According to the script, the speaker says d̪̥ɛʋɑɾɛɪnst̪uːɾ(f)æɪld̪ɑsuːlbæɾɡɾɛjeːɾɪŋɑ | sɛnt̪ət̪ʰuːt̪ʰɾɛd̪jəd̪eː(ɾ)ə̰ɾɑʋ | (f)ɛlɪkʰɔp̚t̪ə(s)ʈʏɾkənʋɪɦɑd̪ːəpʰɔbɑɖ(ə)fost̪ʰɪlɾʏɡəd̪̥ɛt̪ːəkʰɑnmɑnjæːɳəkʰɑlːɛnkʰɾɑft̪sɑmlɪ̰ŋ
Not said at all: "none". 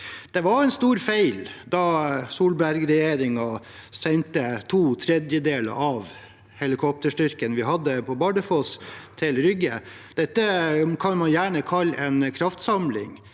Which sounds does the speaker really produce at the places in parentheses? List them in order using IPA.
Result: f, l, h, ʂ, ə

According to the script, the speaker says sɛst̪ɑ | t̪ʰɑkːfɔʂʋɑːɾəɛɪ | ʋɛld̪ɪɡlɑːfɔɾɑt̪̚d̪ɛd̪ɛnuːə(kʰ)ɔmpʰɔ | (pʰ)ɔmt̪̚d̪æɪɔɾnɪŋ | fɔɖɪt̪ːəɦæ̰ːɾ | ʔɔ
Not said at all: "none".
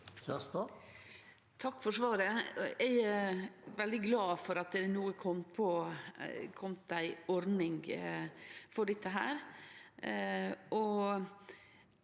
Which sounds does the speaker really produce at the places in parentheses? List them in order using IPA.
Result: kʰ, kʰ

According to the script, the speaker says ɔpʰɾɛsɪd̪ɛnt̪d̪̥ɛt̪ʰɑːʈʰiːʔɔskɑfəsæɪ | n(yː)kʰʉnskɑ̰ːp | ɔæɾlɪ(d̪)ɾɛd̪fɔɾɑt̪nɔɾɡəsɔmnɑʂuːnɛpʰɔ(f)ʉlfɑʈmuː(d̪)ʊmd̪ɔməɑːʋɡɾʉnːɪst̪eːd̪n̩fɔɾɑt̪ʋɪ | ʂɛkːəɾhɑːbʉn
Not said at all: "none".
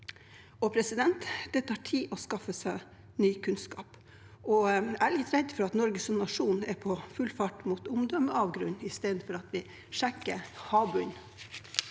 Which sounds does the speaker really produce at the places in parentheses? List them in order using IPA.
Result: yː, t̪, f, t̪

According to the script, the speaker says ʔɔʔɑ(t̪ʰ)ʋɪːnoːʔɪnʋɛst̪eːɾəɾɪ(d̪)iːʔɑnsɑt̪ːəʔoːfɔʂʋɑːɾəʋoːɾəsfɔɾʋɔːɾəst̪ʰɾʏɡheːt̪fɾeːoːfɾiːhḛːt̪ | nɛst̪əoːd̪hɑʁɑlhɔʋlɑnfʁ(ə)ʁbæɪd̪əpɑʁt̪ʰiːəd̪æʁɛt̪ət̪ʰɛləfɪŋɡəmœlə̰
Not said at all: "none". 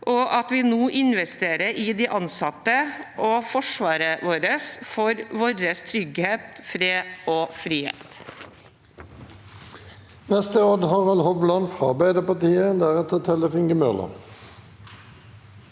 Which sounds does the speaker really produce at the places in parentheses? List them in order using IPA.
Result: t̪, d̪, ɑ

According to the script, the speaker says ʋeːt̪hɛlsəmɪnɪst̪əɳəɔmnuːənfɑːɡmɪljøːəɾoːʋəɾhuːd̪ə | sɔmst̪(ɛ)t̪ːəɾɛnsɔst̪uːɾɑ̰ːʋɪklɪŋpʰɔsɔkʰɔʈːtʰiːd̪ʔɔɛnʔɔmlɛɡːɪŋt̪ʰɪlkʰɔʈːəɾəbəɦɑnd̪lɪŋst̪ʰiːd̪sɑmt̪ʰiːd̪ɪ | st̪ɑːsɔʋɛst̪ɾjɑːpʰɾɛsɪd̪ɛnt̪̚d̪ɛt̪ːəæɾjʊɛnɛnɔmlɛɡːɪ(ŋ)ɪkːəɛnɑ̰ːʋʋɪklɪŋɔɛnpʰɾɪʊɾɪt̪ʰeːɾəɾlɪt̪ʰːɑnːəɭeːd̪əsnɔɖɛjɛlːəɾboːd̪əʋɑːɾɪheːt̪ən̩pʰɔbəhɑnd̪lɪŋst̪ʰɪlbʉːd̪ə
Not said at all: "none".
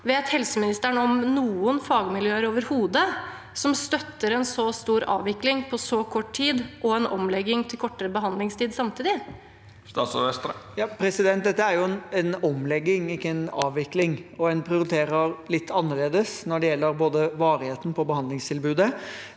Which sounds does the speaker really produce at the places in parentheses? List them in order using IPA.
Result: œ, ŋ

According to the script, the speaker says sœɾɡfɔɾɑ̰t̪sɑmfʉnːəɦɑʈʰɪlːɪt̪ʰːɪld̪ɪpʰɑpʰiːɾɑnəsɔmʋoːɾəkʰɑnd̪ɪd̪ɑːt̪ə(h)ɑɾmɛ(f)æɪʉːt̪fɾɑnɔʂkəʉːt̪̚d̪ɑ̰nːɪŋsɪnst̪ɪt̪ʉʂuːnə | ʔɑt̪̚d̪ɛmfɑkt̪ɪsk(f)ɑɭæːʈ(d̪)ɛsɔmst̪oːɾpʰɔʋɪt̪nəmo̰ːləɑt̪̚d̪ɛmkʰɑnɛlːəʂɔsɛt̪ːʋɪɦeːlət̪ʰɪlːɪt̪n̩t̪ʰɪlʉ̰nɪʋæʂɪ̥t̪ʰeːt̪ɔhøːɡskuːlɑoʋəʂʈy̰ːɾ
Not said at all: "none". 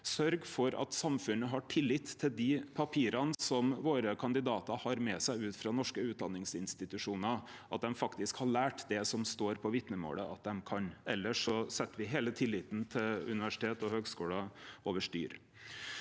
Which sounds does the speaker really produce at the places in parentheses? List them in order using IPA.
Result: h, s, h, d̪

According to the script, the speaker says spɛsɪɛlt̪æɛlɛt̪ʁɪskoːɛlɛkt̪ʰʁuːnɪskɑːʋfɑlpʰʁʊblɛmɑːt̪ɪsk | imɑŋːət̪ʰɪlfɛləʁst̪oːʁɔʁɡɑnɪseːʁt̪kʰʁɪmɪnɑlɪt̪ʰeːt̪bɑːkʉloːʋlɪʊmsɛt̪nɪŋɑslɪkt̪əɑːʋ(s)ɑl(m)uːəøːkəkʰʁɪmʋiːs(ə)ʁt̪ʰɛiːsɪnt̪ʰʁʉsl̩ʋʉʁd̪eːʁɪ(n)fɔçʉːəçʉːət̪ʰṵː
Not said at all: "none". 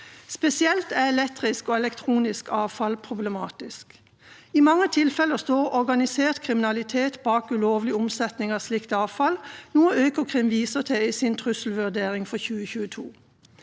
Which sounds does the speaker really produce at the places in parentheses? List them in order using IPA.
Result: f, n, ə, ŋ

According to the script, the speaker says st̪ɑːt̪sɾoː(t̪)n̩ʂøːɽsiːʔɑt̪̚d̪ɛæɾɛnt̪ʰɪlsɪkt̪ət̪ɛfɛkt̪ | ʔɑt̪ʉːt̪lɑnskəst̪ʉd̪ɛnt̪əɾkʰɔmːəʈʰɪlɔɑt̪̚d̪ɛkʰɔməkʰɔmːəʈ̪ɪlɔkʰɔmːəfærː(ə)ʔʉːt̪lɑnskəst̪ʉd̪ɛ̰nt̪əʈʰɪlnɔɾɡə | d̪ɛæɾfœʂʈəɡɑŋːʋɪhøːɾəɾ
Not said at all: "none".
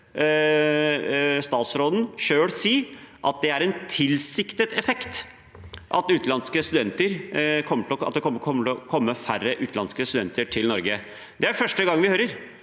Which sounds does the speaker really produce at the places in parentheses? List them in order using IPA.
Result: d̪, ə

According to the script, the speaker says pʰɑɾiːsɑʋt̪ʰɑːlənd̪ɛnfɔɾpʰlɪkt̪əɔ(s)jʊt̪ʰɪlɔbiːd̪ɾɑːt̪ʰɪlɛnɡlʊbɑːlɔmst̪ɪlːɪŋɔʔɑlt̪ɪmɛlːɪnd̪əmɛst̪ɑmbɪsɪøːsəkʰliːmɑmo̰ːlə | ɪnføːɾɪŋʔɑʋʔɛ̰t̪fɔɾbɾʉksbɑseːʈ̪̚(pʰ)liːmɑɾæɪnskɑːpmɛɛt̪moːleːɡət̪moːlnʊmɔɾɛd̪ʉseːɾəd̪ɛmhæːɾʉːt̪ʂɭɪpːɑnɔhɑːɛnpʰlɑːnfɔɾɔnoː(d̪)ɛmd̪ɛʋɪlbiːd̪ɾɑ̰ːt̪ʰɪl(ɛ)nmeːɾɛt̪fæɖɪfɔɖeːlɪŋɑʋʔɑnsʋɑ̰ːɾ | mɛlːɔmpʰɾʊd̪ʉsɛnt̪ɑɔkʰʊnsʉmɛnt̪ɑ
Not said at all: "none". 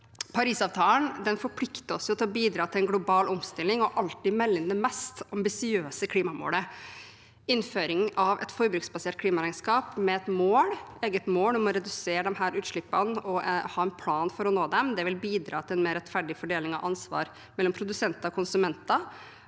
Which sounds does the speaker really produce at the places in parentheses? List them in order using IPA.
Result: s, kʰ, d̪, ɛ

